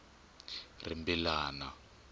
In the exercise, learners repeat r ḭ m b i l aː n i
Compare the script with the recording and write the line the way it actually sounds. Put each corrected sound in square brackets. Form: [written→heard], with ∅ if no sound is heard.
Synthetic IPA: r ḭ m b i l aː n [i→a]

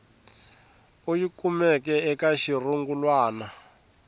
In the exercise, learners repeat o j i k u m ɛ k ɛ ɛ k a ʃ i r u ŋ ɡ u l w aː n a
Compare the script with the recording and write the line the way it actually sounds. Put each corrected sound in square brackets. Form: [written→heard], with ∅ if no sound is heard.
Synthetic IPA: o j i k u m ɛ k ɛ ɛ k a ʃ i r u ŋ ɡ u l w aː n a

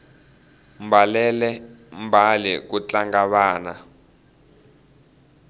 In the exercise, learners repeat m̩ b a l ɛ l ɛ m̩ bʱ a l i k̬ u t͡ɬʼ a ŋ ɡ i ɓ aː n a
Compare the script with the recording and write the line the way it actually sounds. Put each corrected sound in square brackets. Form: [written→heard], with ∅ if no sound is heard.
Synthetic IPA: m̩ b a l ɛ l ɛ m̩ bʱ a l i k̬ u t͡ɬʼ a ŋ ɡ [i→a] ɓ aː n a

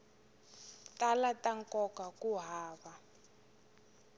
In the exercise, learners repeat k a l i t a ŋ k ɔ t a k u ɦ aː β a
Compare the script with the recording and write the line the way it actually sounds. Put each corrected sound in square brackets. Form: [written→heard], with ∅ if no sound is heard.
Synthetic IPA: [k→t] a l [i→a] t a ŋ k ɔ [t→k] a k u ɦ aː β a

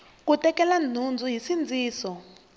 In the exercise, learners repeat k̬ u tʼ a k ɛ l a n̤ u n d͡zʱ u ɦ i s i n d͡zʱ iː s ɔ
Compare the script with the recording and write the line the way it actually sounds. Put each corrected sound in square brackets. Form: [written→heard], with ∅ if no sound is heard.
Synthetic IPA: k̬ u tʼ [a→ɛ] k ɛ l a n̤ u n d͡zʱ u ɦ i s i n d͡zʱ iː s ɔ

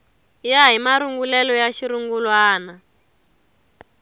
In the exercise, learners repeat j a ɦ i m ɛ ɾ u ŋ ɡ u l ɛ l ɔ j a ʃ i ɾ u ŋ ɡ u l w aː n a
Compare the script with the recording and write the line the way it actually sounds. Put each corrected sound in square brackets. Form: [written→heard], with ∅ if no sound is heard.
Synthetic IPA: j a ɦ i m [ɛ→a] ɾ u ŋ ɡ u l ɛ l ɔ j a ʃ i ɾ u ŋ ɡ u l w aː n a

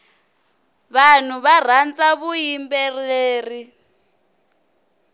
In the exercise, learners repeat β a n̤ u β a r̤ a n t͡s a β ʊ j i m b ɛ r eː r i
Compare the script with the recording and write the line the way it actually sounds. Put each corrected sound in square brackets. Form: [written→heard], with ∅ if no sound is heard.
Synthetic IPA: β a n̤ u β a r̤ a n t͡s a β [ʊ→u] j i m b ɛ r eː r i

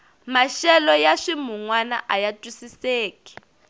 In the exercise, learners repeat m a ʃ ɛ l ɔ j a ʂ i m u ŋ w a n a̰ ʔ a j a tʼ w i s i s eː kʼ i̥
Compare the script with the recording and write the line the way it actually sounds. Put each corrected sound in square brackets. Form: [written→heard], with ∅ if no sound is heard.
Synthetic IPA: m a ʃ ɛ l ɔ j a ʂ i m u ŋ w a n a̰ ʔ a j a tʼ w i s i s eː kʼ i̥

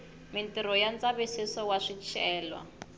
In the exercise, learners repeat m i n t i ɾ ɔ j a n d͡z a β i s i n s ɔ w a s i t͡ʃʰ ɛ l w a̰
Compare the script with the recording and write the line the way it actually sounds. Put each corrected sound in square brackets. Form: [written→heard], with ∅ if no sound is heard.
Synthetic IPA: m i n t i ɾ ɔ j a n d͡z a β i s i [n→∅] s ɔ w a [s→ʂ] i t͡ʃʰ [ɛ→ɛː] l w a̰

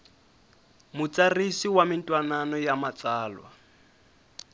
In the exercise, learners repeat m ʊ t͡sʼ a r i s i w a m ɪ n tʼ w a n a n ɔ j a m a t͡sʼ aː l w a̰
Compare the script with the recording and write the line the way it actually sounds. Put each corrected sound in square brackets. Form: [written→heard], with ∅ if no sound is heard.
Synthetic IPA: m ʊ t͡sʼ a r i s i w a m ɪ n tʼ w a n a n ɔ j a m a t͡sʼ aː l w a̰

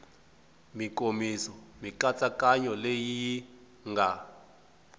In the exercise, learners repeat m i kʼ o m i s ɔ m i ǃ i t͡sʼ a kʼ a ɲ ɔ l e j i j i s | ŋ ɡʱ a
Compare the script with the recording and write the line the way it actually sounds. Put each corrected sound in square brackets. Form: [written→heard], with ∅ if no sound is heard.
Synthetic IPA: m i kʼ o m i s ɔ m i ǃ [i→a] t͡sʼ a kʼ a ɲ ɔ l e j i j i [s→∅] | ŋ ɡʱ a

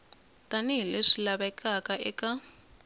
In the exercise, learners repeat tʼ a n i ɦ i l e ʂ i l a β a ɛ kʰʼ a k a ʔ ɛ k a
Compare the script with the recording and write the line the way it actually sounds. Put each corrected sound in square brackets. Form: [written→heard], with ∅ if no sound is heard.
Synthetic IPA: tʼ a n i ɦ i l e ʂ i l a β a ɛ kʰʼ a k a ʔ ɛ k a

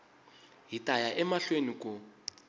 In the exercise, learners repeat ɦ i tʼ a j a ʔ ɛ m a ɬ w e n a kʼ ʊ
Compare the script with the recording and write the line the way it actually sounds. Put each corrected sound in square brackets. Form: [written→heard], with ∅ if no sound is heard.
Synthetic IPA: ɦ i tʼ a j a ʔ ɛ m a ɬ w e n [a→i] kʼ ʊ

